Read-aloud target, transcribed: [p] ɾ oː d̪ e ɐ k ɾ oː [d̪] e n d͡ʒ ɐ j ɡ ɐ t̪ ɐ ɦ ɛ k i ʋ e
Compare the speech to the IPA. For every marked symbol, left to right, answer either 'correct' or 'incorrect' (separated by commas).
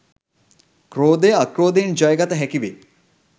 incorrect, correct